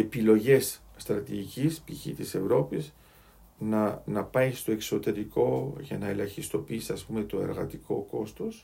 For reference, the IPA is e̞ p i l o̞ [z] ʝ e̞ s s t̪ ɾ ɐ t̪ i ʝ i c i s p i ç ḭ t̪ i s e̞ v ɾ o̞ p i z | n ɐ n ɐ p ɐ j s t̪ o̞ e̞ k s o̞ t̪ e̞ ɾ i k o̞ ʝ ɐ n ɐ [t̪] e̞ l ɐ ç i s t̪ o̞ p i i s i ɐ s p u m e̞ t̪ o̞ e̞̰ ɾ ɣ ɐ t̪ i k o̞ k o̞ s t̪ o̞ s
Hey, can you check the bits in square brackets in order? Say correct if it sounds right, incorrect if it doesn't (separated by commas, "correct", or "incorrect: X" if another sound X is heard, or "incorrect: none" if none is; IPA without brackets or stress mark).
incorrect: none, incorrect: none